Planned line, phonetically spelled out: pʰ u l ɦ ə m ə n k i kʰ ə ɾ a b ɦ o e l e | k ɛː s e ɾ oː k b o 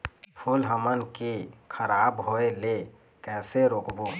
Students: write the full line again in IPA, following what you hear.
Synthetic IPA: pʰ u l ɦ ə m ə n k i kʰ ə ɾ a b ɦ o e l e | k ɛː s e ɾ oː k b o

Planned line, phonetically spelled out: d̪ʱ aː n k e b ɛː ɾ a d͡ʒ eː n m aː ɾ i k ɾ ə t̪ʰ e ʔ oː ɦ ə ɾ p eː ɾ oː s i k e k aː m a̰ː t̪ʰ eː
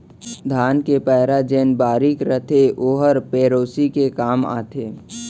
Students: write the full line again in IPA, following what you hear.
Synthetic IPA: d̪ʱ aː n k e p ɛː ɾ a d͡ʒ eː n b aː ɾ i k ɾ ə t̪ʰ e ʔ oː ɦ ə ɾ p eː ɾ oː s i k e k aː m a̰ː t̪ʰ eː

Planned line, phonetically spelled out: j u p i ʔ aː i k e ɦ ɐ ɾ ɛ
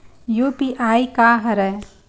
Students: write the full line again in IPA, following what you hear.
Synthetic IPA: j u p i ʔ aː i k a ɦ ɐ ɾ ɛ

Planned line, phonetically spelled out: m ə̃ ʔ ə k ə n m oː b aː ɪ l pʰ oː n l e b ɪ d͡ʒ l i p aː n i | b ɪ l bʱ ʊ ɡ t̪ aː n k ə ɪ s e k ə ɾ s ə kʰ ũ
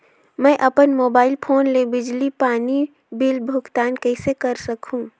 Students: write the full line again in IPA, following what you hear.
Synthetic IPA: m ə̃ ʔ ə p ə n m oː b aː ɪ l pʰ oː n l e b ɪ d͡ʒ l i p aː n i | b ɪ l bʱ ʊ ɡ t̪ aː n k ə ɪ s e k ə ɾ s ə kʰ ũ

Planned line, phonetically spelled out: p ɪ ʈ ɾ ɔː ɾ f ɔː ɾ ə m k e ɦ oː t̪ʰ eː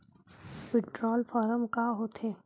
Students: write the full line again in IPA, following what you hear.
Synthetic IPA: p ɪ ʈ ɾ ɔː l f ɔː ɾ ə m k a ɦ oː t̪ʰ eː

